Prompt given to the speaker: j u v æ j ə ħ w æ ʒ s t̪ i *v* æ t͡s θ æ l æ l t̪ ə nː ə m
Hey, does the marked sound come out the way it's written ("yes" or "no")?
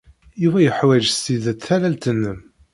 no